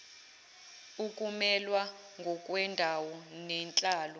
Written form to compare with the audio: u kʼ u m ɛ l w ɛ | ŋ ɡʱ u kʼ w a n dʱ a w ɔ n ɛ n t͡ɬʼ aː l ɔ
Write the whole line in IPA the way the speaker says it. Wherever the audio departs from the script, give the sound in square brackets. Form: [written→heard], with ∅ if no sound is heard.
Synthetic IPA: u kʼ u m ɛ l w [ɛ→a] | ŋ ɡʱ [u→ɔ] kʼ w [a→ɛ] n dʱ a w ɔ n ɛ n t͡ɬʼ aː l ɔ